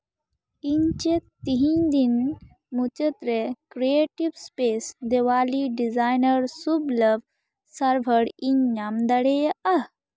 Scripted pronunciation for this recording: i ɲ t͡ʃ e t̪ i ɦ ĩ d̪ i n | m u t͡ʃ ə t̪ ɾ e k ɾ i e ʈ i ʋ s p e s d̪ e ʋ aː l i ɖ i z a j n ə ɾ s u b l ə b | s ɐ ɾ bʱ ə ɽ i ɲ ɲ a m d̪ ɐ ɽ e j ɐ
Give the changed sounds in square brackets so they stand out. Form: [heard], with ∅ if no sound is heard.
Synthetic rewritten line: i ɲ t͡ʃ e t̪ i ɦ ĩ d̪ i n | m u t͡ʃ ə t̪ ɾ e k ɾ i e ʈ i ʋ s p e s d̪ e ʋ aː l i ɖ i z a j n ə ɾ s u b l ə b | s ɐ ɾ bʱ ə ɽ i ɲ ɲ a m d̪ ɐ ɽ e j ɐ